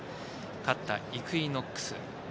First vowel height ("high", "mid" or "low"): low